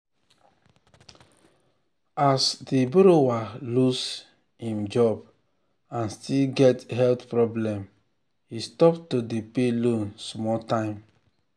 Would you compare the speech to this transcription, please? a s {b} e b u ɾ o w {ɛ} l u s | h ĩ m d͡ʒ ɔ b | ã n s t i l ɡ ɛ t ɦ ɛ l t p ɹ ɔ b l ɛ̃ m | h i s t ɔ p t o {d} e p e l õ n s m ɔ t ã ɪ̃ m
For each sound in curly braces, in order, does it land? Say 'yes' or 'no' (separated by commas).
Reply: no, no, yes